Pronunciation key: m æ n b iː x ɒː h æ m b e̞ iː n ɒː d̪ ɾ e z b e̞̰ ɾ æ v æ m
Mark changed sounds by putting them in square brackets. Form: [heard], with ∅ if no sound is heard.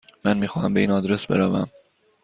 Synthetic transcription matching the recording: m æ n [m] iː x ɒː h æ m b e̞ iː n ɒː d̪ ɾ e [s] b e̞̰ ɾ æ v æ m